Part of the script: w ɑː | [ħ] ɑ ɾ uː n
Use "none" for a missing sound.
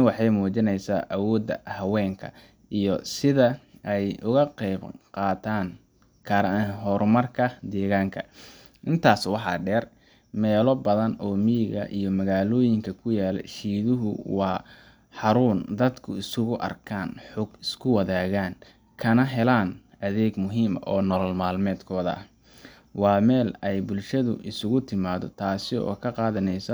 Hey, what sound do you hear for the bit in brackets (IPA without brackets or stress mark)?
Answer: ħ